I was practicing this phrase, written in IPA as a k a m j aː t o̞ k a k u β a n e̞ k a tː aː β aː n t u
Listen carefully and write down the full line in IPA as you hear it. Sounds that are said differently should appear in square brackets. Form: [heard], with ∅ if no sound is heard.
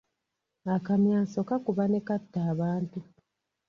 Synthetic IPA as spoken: a k a m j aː [s] o̞ k a k u β a n e̞ k a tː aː β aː n t u